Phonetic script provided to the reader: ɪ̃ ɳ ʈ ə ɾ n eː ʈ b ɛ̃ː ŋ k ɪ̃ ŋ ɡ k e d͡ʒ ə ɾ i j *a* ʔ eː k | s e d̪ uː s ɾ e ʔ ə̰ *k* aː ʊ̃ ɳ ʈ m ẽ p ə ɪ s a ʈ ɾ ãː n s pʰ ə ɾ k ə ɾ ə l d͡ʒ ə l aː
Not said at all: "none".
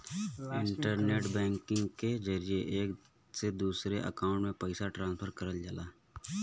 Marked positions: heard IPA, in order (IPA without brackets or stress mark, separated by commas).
e, k